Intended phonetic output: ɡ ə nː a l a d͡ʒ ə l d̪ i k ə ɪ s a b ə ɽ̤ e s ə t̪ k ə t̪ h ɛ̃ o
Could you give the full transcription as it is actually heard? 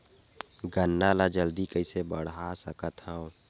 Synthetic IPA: ɡ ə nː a l a d͡ʒ ə l d̪ i k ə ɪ s e b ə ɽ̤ a s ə k ə t̪ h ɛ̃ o

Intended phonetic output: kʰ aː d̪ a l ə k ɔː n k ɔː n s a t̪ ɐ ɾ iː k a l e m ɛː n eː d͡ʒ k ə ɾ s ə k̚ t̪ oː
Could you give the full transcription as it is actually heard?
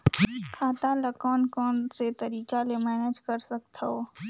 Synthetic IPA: kʰ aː t̪ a l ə k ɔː n k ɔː n s e t̪ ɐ ɾ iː k a l e m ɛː n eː d͡ʒ k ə ɾ s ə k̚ t̪ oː

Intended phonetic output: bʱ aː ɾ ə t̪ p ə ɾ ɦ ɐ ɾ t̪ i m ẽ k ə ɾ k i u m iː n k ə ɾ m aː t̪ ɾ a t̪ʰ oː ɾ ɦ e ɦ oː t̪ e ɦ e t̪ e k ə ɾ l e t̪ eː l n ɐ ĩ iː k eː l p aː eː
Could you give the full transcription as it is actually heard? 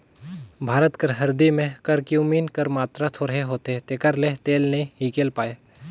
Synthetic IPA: bʱ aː ɾ ə t̪ k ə ɾ ɦ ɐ ɾ d̪ i m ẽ k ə ɾ k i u m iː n k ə ɾ m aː t̪ ɾ a t̪ʰ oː ɾ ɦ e ɦ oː t̪ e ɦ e t̪ e k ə ɾ l e t̪ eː l n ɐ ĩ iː k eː l p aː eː

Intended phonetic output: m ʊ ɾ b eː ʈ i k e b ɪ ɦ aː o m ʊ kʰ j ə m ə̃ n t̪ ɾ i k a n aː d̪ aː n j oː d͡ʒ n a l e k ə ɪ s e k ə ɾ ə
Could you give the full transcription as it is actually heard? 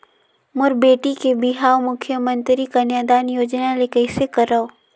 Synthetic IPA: m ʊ ɾ b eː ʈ i k e b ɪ ɦ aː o m ʊ kʰ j ə m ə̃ n t̪ ɾ i k a n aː d̪ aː n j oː d͡ʒ n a l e k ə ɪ s e k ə ɾ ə

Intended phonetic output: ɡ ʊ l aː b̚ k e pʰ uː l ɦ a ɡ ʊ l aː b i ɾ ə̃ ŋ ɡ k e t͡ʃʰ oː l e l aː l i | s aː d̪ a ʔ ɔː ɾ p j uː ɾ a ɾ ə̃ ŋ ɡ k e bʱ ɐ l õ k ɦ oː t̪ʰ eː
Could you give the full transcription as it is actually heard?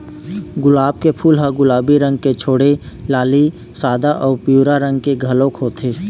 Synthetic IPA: ɡ ʊ l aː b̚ k e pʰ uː l ɦ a ɡ ʊ l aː b i ɾ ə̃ ŋ ɡ k e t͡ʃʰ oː ɽ e l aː l i | s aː d̪ a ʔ ɔː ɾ p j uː ɾ a ɾ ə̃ ŋ ɡ k e ɡʱ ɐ l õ k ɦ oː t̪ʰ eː

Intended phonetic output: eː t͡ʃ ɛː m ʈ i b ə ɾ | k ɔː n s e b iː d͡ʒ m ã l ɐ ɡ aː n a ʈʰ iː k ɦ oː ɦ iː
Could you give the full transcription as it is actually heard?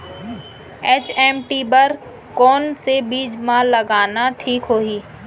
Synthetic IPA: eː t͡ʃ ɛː m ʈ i b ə ɾ | k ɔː n s e b iː d͡ʒ m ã l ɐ ɡ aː n a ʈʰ iː k ɦ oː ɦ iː

